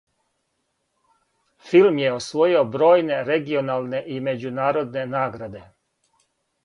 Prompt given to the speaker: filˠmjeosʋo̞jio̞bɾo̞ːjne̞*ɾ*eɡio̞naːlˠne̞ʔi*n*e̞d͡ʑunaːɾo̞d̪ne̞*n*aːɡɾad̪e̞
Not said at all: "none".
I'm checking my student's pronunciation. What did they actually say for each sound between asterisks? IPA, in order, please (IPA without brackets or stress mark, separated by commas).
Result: ɾ, m, n